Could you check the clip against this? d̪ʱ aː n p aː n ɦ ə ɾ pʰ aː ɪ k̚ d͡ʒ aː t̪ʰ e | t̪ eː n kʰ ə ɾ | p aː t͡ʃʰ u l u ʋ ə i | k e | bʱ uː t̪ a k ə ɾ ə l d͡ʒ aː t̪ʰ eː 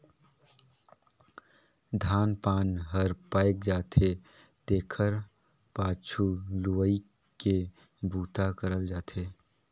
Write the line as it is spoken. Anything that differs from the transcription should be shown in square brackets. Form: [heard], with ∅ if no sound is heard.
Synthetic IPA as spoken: d̪ʱ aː n p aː n ɦ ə ɾ [p] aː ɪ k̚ d͡ʒ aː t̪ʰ e | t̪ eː [∅] kʰ ə ɾ | p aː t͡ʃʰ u l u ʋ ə i | k e | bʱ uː t̪ a k ə ɾ ə l d͡ʒ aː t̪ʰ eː

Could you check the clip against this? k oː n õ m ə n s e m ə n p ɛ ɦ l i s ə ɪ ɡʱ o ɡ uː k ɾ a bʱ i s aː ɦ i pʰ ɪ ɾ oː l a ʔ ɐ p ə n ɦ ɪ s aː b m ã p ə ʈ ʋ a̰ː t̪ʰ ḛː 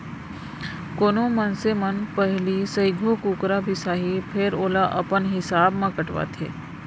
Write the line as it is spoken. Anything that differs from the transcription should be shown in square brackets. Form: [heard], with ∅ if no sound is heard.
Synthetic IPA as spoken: k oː n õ m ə n s e m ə n p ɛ ɦ l i s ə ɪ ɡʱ o [k] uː k ɾ a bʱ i s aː ɦ i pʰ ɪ ɾ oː l a ʔ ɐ p ə n ɦ ɪ s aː b m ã [k] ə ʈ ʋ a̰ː t̪ʰ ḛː

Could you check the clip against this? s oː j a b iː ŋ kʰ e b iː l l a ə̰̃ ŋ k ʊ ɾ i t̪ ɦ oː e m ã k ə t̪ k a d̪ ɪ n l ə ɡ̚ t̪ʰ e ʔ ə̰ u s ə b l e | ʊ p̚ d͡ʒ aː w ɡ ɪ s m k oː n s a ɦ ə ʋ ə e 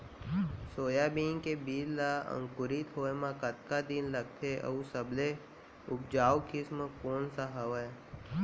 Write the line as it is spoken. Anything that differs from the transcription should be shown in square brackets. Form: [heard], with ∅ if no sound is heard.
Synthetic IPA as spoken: s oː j a b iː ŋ [k] e b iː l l a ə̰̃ ŋ k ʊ ɾ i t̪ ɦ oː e m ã k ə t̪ k a d̪ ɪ n l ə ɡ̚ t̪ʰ e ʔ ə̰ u s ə b l e | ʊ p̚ d͡ʒ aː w [k] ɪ s m k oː n s a ɦ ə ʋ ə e

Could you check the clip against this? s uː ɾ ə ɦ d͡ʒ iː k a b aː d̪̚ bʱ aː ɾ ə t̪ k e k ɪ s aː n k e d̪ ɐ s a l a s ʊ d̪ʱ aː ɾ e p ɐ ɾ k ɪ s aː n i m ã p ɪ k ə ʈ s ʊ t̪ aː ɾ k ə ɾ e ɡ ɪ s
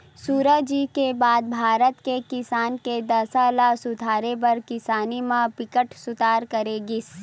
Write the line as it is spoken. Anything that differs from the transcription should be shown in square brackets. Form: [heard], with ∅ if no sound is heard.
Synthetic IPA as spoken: s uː ɾ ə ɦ d͡ʒ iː k [e] b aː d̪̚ bʱ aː ɾ ə t̪ k e k ɪ s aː n k e d̪ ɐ s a l a s ʊ d̪ʱ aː ɾ e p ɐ ɾ k ɪ s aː n i m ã p ɪ k ə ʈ s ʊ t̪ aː ɾ k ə ɾ e ɡ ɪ s

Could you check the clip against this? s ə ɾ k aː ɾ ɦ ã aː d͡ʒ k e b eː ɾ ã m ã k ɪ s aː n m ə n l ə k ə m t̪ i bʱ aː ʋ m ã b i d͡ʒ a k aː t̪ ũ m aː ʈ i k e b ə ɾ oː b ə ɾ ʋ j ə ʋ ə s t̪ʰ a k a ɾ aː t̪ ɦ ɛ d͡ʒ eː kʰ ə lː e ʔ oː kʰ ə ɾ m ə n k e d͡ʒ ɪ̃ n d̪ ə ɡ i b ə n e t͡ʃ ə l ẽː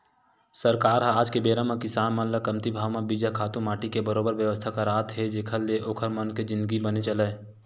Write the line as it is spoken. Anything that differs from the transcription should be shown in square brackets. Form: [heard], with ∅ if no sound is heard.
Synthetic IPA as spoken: s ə ɾ k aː ɾ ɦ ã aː d͡ʒ k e b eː ɾ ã m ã k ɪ s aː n m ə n l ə k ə m t̪ i bʱ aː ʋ m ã b i d͡ʒ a [kʰ] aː t̪ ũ m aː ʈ i k e b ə ɾ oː b ə ɾ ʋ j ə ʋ ə s t̪ʰ a k a ɾ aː t̪ ɦ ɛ d͡ʒ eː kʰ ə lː e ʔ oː kʰ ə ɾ m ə n k e d͡ʒ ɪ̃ n d̪ ə ɡ i b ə n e t͡ʃ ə l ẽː

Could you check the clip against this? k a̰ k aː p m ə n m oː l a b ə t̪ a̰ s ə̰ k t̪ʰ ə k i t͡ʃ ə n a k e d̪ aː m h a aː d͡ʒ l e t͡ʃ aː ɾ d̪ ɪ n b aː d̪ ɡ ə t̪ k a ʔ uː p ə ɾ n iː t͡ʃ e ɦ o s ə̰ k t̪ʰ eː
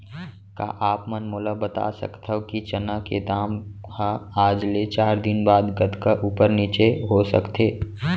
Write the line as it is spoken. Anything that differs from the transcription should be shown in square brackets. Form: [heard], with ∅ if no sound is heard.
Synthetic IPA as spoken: k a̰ [ʔ] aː p m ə n m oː l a b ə t̪ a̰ s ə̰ k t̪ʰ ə k i t͡ʃ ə n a k e d̪ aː m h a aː d͡ʒ l e t͡ʃ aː ɾ d̪ ɪ n b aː d̪ ɡ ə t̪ k a ʔ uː p ə ɾ n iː t͡ʃ e ɦ o s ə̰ k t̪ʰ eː

